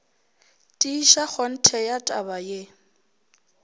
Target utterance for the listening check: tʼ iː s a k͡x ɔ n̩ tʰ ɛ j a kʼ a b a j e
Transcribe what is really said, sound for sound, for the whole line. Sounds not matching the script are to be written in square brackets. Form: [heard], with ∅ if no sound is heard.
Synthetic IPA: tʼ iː [ʃ] a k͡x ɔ n̩ tʰ ɛ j a [tʼ] a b a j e